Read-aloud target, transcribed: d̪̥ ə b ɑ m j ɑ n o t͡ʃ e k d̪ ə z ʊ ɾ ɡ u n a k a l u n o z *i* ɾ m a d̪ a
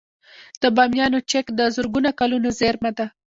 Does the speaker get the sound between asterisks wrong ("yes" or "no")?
yes